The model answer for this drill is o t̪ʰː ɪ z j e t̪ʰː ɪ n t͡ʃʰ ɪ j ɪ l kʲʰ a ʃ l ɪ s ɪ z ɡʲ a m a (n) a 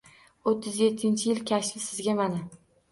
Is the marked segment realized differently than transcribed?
no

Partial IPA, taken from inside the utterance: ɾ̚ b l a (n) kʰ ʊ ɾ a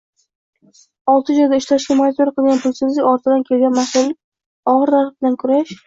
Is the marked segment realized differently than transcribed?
no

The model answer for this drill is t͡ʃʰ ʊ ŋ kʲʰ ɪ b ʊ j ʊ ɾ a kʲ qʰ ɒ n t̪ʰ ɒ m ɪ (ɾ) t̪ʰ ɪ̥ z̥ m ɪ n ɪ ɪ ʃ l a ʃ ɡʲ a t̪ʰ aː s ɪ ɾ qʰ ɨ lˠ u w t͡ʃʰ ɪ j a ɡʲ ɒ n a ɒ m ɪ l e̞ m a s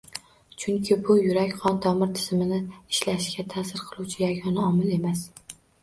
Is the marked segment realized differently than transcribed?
no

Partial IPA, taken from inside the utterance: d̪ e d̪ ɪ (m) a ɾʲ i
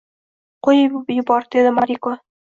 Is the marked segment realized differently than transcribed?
no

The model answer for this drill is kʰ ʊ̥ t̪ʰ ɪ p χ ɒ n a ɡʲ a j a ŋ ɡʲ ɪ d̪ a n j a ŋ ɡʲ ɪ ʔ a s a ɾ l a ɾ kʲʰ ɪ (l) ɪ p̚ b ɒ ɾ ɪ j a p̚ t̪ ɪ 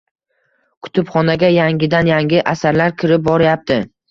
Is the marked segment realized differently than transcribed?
yes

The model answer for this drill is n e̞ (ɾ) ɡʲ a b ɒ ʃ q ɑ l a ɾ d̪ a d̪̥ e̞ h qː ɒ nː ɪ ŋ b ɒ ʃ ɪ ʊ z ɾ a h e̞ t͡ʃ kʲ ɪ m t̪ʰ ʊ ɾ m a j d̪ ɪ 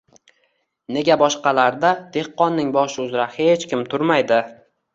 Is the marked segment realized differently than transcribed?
yes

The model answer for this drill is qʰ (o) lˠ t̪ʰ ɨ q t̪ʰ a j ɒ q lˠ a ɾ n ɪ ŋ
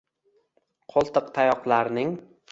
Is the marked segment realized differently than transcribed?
no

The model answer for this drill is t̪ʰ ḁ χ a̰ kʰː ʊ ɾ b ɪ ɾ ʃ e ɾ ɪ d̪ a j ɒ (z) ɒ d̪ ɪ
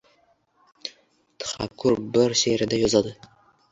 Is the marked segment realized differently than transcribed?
no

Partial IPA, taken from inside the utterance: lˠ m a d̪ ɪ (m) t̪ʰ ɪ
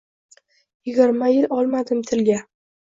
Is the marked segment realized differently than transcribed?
no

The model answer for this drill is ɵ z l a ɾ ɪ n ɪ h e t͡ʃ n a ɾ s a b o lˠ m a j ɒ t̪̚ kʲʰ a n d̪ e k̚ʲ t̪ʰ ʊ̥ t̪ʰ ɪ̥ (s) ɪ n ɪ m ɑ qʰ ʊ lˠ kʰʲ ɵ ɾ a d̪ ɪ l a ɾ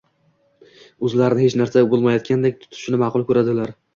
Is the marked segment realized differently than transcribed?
yes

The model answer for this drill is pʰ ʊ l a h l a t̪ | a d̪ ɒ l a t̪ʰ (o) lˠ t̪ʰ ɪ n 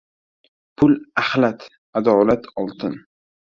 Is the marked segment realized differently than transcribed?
yes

